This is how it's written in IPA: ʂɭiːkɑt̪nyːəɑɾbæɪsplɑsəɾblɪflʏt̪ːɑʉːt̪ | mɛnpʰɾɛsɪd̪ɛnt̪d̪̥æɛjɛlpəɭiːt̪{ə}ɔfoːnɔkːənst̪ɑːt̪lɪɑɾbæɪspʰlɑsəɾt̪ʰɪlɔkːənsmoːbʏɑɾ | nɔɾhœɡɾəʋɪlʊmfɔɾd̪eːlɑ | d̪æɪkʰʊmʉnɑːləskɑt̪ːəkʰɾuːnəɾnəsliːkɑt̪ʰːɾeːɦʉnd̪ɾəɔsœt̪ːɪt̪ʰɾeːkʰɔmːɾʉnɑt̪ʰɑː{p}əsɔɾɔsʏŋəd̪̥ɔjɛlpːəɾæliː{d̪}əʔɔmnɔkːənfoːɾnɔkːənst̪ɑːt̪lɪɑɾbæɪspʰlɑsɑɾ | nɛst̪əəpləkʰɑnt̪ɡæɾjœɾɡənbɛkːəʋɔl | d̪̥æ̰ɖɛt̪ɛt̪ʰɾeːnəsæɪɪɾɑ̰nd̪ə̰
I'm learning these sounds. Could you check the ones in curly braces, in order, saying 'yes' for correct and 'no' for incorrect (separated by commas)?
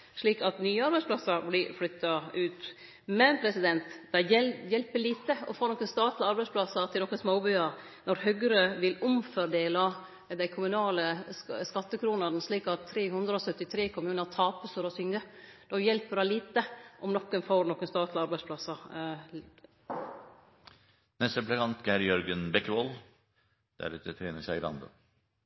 yes, yes, no